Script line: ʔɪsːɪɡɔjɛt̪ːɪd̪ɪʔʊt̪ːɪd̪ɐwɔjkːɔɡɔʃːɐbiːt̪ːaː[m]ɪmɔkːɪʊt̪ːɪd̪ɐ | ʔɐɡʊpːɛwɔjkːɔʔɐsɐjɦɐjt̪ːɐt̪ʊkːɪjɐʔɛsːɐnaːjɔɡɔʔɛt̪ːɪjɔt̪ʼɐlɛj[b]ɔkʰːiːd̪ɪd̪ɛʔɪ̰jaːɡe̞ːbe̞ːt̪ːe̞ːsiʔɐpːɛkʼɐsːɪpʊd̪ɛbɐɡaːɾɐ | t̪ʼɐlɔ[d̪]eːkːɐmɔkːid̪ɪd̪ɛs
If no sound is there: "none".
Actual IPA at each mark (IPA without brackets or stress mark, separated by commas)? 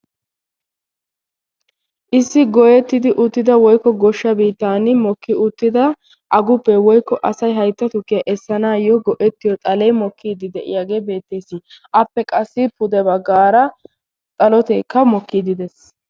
n, m, t̪